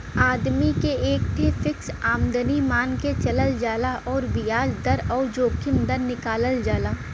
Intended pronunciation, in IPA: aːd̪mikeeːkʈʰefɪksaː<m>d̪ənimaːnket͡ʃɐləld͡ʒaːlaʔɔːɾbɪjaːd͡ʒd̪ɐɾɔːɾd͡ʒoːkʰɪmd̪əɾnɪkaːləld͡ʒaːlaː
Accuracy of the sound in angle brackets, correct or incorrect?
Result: correct